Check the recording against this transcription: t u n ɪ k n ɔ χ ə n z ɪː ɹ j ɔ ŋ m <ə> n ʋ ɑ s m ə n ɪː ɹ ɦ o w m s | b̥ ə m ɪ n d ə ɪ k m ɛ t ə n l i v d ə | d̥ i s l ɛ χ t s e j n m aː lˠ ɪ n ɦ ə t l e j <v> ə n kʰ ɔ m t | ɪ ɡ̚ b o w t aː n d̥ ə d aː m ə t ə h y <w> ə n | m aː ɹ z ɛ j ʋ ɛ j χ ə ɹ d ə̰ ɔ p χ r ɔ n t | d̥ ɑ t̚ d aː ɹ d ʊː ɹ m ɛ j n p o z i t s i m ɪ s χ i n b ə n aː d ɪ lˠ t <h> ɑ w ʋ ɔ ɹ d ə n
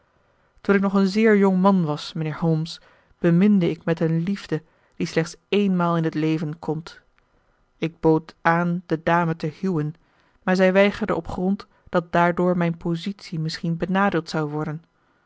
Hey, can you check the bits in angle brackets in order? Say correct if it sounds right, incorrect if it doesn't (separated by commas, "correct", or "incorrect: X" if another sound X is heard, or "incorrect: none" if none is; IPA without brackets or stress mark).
incorrect: ɑ, correct, correct, incorrect: s